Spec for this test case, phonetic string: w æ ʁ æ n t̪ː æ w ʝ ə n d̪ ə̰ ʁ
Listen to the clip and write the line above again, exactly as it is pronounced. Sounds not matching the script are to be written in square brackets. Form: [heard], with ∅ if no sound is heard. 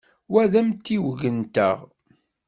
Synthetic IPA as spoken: w æ [ð] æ [m] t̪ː [i] w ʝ ə n [t̪] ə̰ ʁ